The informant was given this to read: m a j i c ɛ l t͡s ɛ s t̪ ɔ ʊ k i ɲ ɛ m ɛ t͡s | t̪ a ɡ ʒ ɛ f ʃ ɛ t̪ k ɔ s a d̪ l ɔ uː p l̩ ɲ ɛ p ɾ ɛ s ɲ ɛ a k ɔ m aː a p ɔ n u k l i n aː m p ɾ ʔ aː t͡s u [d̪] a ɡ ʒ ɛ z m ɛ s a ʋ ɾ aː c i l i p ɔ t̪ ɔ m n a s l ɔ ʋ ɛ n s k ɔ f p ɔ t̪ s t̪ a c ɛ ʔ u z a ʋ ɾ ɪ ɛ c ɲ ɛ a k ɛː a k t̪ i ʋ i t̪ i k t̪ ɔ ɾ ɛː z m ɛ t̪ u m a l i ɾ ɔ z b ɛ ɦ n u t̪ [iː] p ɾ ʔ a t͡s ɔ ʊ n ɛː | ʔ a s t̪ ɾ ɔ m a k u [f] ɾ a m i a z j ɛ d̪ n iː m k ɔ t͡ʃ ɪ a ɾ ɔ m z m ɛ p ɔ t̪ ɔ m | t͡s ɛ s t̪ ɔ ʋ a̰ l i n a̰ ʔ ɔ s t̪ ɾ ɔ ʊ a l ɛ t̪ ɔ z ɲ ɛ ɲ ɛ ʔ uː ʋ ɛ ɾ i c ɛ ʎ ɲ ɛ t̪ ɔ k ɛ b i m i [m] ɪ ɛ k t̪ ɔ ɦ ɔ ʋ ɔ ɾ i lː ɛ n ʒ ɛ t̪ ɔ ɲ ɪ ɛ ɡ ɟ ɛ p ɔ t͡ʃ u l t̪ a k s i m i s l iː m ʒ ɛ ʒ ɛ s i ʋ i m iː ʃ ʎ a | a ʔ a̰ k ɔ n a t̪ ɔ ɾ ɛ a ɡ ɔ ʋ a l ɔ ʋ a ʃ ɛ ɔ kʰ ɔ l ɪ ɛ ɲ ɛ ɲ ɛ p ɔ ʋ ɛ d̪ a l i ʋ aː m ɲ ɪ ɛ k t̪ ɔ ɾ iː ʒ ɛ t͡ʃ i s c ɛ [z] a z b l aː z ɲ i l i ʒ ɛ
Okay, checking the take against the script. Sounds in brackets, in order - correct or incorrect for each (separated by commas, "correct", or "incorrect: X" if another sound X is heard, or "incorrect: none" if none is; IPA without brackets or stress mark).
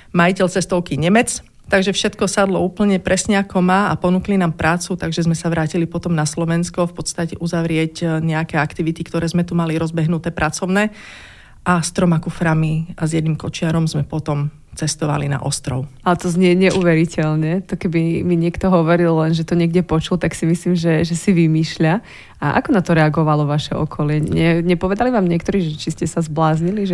incorrect: t̪, incorrect: ɛː, correct, incorrect: ɲ, incorrect: s